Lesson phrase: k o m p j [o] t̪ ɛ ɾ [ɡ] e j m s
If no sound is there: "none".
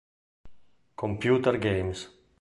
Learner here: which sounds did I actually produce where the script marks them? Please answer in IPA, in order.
u, ɡ

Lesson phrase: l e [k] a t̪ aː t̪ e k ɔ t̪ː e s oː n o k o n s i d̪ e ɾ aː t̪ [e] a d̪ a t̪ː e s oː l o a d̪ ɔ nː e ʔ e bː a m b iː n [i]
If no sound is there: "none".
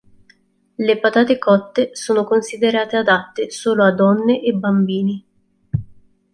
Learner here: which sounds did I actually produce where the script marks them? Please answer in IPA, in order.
p, e, i

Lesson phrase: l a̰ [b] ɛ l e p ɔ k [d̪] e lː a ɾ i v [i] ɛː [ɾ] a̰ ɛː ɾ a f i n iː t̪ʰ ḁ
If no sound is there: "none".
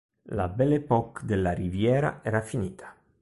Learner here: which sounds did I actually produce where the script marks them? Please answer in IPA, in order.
b, d̪, j, ɾ

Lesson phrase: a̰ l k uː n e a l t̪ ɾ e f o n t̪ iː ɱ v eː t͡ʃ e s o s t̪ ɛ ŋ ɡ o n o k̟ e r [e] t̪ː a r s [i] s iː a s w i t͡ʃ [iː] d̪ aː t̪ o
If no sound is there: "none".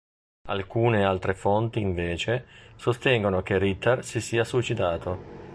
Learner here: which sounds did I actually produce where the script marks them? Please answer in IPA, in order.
i, i, i

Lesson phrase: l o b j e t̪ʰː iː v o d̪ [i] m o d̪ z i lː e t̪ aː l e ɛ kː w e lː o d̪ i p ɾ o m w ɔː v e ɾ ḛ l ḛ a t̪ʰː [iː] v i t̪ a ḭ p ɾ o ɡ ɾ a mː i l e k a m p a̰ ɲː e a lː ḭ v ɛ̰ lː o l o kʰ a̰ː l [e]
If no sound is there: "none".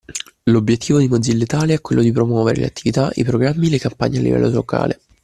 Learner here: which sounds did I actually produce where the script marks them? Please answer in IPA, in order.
i, i, e

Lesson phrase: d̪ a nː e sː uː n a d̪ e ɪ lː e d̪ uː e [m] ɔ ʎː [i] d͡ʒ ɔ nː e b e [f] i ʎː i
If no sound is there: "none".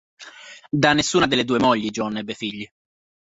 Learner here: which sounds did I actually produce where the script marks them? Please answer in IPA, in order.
m, i, f

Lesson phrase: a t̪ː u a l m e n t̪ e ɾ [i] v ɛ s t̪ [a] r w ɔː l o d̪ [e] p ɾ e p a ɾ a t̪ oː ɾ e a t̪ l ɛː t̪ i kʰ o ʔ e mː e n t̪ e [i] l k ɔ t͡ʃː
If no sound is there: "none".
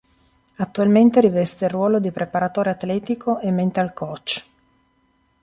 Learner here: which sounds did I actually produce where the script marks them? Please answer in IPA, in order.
i, e, i, a

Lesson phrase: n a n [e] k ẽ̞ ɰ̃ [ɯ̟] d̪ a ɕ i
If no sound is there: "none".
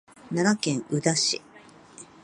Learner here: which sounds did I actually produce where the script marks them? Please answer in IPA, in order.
a, ɯ̟

